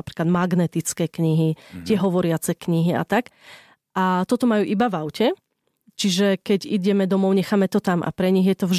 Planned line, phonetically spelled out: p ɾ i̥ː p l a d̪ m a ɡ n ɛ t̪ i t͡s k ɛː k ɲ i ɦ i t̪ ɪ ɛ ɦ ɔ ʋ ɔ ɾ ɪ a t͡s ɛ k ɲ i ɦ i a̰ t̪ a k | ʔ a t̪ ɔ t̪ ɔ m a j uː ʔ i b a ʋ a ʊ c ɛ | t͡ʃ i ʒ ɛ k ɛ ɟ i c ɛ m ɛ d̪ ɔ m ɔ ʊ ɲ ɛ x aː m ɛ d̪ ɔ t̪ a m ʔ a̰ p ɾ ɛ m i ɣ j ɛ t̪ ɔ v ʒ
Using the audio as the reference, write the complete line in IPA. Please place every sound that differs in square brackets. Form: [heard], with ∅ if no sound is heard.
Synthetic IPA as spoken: p ɾ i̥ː [k] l a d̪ m a ɡ n ɛ t̪ i t͡s k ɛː k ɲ i ɦ i t̪ ɪ ɛ ɦ ɔ ʋ ɔ ɾ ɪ a t͡s ɛ k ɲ i ɦ i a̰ t̪ a k | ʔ a t̪ ɔ t̪ ɔ m a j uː ʔ i b a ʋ a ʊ c ɛ | t͡ʃ i ʒ ɛ k ɛ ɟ i [ɟ] ɛ m ɛ d̪ ɔ m ɔ ʊ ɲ ɛ x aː m ɛ [t̪] ɔ t̪ a m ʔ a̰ p ɾ ɛ [ɲ] i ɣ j ɛ t̪ ɔ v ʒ